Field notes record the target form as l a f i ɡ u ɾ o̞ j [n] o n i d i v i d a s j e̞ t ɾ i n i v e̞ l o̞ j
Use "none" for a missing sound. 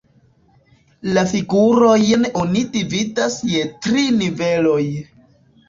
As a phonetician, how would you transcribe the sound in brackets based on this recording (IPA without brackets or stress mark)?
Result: n